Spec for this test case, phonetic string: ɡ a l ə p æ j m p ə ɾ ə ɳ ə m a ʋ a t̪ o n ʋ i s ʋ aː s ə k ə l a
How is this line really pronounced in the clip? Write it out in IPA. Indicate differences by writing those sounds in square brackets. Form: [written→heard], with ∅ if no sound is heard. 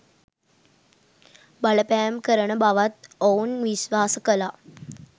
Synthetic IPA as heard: [ɡ→b] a l ə p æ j m [p→k] ə ɾ ə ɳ ə [m→b] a ʋ a t̪ o n ʋ i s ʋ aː s ə k ə l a